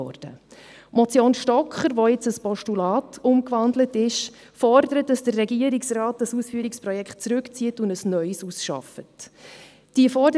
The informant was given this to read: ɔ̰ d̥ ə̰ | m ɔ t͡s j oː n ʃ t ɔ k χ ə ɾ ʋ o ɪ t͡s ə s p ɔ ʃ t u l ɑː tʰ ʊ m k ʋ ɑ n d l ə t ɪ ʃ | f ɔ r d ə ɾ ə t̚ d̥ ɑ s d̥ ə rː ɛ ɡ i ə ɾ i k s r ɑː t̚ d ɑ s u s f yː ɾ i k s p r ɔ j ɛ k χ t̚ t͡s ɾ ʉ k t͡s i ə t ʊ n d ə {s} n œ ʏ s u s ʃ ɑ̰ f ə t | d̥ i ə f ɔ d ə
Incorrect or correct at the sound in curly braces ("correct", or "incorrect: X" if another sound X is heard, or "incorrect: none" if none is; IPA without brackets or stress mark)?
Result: correct